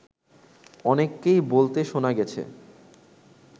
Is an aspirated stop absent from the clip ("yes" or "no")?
no